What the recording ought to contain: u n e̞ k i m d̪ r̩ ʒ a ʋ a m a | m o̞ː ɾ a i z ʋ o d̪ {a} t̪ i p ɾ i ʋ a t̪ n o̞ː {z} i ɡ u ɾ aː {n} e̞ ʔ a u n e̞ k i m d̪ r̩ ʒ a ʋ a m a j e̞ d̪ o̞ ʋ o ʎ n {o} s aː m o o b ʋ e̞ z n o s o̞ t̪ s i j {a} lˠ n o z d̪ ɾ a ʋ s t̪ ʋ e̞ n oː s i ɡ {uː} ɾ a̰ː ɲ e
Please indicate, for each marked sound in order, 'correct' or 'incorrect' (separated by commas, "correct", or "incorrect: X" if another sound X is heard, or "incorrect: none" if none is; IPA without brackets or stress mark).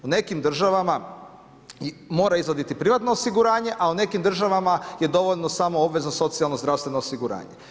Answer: incorrect: i, incorrect: s, incorrect: ɲ, correct, correct, incorrect: u